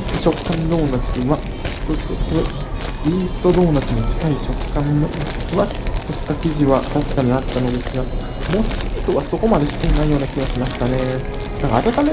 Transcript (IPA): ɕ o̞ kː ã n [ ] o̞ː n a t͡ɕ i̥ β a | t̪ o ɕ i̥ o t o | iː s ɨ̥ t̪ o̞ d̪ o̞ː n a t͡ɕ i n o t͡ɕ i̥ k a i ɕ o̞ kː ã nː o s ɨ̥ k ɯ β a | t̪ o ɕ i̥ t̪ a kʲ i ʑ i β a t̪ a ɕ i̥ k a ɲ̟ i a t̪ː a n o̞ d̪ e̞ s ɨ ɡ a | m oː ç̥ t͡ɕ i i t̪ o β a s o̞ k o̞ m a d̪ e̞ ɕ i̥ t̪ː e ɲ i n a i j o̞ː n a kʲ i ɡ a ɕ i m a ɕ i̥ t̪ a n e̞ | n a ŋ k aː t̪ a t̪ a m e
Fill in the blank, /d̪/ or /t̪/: d̪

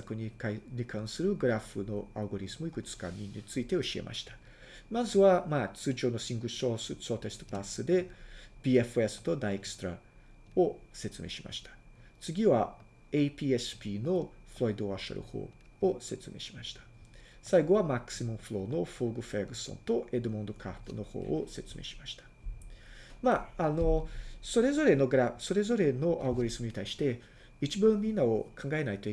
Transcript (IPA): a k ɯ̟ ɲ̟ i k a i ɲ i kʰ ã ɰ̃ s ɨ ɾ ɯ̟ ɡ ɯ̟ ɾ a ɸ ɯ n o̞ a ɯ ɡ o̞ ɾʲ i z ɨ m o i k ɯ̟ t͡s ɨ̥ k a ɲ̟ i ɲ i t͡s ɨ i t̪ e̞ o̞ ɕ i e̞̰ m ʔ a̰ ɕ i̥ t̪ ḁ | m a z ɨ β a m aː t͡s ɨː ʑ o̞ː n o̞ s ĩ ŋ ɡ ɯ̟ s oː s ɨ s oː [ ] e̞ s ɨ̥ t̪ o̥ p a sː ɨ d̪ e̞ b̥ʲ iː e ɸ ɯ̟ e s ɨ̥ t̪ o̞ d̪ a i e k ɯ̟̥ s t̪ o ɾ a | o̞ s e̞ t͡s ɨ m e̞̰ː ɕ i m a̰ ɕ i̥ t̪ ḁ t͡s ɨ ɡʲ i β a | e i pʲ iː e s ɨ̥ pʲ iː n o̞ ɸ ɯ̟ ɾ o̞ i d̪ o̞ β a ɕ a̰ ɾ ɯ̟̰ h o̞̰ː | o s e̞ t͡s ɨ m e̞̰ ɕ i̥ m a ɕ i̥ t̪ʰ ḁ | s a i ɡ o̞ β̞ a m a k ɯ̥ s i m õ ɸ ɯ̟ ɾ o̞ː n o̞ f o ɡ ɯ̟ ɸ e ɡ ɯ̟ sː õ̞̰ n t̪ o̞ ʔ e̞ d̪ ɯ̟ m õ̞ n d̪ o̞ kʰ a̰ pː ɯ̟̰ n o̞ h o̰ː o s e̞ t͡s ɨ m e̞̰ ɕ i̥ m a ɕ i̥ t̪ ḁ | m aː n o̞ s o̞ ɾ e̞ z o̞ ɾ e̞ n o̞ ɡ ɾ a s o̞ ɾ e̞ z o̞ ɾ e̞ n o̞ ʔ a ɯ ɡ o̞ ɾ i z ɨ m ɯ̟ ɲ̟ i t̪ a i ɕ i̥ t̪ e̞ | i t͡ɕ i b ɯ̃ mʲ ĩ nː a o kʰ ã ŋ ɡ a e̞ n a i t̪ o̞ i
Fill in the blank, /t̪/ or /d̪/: t̪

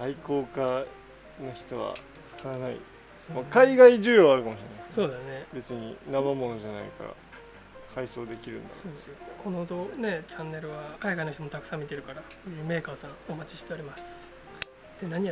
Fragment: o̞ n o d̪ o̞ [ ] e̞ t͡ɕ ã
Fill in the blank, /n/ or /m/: n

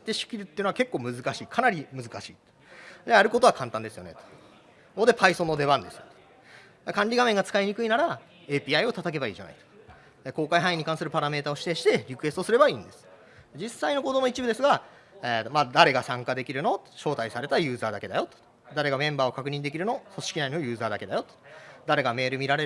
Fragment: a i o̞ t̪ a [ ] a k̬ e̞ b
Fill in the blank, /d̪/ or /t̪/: t̪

